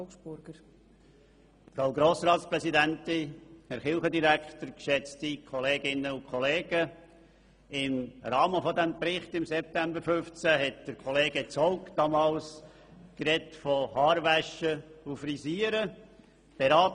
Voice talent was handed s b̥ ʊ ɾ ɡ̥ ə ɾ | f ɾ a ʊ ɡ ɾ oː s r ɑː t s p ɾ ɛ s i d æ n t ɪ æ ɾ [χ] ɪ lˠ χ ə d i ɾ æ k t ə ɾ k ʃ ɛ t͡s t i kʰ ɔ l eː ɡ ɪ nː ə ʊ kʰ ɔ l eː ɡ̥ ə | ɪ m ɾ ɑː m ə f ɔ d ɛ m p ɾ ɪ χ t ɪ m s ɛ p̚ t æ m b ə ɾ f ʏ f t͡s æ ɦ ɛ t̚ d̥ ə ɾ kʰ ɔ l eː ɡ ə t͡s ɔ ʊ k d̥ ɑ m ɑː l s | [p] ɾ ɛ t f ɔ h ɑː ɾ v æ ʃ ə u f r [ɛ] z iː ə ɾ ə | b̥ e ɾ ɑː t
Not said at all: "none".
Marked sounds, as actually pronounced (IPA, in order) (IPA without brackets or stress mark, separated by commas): χ, k, i